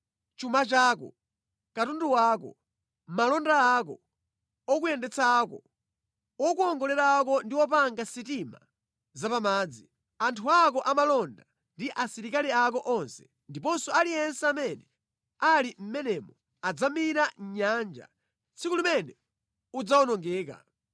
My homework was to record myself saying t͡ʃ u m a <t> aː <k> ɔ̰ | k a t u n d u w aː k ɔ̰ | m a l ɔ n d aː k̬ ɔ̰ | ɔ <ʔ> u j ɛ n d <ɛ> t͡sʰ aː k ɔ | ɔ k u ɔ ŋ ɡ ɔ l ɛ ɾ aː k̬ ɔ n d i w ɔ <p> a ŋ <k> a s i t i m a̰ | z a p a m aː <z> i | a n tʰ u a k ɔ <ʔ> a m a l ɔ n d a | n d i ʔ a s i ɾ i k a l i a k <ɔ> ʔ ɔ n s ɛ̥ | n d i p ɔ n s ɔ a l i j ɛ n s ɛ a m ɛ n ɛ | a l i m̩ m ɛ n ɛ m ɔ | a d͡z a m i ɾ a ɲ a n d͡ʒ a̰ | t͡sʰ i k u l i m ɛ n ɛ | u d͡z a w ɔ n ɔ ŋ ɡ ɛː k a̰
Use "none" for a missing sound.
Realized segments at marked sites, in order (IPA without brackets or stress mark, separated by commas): t͡ʃ, k, k, ɛ, p, ɡ, d͡z, ʔ, ɔ